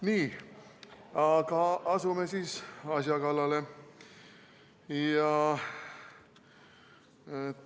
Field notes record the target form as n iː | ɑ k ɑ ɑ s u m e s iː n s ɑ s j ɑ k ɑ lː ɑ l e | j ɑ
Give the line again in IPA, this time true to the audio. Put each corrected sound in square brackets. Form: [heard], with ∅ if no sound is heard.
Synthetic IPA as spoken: n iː | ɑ k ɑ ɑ s u m e s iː [∅] s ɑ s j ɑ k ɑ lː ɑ l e | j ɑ